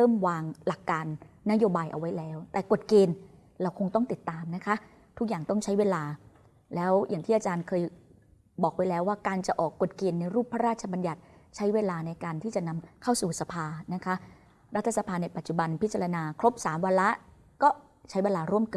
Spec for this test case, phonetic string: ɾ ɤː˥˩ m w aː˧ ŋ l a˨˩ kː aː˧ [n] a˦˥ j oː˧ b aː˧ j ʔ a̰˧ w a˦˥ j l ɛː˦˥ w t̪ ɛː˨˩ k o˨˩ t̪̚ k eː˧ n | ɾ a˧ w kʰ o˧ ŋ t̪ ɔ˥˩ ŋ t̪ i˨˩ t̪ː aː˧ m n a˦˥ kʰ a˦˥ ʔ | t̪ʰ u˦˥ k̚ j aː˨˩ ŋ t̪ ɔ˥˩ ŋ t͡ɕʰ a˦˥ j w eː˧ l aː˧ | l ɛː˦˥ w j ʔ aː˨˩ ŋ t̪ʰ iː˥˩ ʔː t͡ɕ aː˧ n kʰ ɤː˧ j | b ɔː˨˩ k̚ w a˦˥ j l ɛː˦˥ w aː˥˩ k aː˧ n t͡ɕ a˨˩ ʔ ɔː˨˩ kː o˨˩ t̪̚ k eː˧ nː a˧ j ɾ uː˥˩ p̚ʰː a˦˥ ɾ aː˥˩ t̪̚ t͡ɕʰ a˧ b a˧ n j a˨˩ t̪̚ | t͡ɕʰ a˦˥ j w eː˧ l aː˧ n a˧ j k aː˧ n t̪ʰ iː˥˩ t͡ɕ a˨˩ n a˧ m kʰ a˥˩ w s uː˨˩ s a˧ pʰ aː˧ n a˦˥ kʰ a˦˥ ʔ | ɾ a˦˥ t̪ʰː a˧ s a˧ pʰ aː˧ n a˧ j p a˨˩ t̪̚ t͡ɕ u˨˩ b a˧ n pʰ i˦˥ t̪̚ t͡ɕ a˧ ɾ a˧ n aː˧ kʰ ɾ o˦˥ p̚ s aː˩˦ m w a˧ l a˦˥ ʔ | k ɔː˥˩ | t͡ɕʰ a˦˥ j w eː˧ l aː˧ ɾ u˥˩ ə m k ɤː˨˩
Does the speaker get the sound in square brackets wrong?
yes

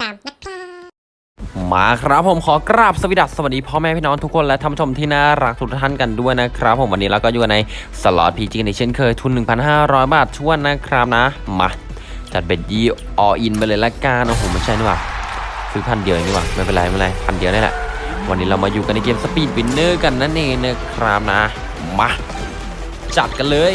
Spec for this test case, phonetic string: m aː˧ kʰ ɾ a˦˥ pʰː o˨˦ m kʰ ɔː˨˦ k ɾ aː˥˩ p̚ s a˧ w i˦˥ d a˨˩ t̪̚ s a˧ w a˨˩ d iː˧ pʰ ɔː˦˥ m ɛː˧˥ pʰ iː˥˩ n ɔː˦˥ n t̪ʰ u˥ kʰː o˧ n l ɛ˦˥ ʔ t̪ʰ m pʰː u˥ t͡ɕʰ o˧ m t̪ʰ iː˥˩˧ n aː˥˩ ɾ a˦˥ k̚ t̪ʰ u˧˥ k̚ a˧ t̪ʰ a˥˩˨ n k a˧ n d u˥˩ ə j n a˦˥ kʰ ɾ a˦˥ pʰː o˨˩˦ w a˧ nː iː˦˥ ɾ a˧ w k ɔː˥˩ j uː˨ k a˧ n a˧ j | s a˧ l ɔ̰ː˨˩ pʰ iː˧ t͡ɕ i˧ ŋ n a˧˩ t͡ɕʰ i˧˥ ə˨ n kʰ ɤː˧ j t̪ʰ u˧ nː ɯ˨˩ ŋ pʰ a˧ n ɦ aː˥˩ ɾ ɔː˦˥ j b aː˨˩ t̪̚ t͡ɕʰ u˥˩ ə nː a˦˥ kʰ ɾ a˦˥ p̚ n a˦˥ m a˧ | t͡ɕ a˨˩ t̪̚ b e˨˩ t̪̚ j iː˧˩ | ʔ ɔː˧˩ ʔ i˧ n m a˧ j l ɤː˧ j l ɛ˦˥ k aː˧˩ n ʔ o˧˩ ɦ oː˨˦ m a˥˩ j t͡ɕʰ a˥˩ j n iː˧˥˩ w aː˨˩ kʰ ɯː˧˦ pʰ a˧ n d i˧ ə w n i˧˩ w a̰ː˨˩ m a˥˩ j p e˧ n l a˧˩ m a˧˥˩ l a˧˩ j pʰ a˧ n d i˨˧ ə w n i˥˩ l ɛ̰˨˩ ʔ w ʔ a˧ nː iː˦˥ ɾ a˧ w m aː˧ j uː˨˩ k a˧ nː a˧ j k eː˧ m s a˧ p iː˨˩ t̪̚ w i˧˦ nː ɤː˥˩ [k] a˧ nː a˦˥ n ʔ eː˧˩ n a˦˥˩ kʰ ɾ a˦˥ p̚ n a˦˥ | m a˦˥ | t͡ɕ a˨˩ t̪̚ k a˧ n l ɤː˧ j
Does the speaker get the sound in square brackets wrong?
no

